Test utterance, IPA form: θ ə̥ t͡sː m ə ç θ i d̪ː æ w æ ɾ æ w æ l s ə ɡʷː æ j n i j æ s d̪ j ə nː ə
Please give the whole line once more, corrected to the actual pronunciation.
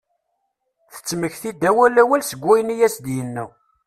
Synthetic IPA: θ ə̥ t͡sː m ə ç θ i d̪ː æ w æ l æ w æ l s ə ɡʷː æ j n i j æ s d̪ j ə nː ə